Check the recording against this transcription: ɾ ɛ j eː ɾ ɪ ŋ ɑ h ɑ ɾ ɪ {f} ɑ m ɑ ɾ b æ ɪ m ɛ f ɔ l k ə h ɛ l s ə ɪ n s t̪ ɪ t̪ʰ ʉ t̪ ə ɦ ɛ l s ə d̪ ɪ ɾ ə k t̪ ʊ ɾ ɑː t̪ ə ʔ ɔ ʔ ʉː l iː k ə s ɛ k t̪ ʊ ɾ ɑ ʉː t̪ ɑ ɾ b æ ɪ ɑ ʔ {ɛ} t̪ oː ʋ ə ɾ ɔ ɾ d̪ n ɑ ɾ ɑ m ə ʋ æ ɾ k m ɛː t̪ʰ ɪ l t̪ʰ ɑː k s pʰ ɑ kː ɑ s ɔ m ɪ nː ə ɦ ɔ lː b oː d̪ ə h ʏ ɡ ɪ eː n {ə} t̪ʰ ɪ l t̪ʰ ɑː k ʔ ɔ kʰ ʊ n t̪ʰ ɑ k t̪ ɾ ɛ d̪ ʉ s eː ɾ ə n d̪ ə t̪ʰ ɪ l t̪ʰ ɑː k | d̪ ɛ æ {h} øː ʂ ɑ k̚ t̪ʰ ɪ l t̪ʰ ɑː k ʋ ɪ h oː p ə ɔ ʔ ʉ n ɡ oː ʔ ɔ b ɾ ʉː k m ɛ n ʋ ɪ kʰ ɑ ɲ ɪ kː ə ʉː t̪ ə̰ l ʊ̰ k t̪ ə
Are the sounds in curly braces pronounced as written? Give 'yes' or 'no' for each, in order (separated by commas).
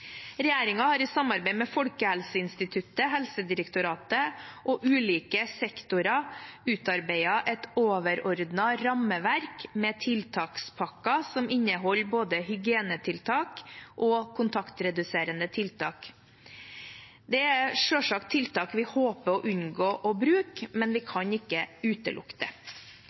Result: no, yes, yes, no